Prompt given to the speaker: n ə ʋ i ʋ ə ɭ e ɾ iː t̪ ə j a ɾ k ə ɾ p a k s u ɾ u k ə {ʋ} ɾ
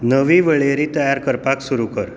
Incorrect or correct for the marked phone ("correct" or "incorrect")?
incorrect